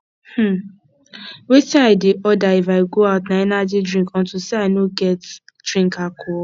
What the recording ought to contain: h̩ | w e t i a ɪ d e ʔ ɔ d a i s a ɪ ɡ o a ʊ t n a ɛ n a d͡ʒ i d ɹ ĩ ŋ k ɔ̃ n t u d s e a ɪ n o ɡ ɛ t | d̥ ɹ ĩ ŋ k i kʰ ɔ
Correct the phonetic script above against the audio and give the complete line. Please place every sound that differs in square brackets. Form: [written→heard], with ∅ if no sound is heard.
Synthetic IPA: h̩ | w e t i a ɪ d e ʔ ɔ d a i [s→f] a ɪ ɡ o a ʊ t n a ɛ n a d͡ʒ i d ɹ ĩ ŋ k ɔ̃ n t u [d→∅] s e a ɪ n o ɡ ɛ t | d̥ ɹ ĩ ŋ k [i→a] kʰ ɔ